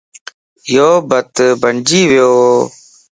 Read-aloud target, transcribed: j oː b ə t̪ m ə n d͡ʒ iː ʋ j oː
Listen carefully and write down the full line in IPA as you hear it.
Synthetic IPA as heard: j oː b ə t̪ b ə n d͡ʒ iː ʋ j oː